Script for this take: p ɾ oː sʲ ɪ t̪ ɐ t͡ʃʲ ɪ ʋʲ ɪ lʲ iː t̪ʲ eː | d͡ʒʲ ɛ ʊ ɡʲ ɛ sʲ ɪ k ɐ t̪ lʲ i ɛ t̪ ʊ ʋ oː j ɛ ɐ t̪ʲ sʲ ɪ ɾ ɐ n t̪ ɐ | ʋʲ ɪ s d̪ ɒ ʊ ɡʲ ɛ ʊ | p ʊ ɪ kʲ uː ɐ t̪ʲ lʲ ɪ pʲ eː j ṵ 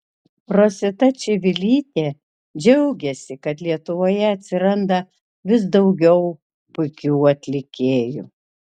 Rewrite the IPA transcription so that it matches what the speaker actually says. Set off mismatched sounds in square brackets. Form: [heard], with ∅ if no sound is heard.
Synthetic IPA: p ɾ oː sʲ ɪ t̪ ɐ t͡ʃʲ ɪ ʋʲ ɪ lʲ iː t̪ʲ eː | d͡ʒʲ ɛ ʊ ɡʲ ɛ sʲ ɪ k ɐ t̪ lʲ i ɛ t̪ ʊ ʋ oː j ɛ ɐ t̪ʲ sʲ ɪ ɾ ɐ n [d̪] ɐ | ʋʲ ɪ s d̪ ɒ ʊ ɡʲ ɛ ʊ | p ʊ ɪ kʲ uː ɐ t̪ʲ lʲ ɪ [kʲ] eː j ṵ